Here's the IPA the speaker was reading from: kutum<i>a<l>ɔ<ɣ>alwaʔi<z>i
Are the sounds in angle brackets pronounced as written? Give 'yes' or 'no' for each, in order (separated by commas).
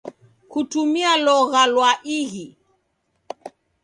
yes, yes, yes, no